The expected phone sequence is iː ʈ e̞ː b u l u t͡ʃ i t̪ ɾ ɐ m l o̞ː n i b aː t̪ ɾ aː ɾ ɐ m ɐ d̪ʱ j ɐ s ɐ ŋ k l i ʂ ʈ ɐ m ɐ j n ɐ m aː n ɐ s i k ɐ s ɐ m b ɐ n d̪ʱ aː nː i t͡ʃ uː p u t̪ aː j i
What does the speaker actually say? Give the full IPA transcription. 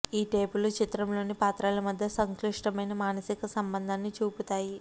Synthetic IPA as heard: iː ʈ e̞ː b u l u t͡ʃ i t̪ ɾ ɐ m l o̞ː n i p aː t̪ ɾ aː l ɐ m ɐ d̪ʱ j ɐ s ɐ ŋ k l i ʂ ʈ ɐ m ɐ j n ɐ m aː n ɐ s i k ɐ s ɐ m b ɐ n d̪ʱ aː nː i t͡ʃ uː p u t̪ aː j i